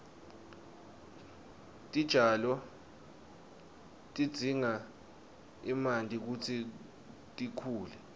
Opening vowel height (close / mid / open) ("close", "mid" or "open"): close